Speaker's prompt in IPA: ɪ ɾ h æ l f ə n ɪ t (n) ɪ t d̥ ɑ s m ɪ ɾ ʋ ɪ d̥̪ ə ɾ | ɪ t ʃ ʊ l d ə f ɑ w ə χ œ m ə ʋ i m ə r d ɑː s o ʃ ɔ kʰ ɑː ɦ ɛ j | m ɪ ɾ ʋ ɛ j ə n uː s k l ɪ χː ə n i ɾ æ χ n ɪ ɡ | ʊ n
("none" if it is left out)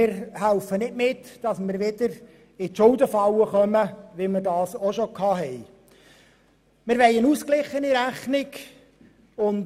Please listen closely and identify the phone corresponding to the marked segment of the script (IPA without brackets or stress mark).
m